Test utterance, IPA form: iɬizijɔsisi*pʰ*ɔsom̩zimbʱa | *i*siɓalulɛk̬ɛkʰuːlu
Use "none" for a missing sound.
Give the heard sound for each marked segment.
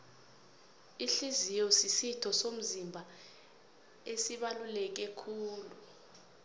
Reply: tʰ, e

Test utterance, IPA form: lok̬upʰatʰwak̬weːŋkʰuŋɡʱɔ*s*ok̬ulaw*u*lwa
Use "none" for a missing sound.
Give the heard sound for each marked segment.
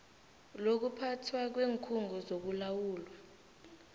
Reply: z, uː

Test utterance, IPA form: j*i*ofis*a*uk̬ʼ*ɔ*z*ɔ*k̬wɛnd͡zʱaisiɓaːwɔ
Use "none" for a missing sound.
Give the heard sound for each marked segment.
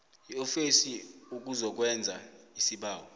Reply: i, i, u, ɔ

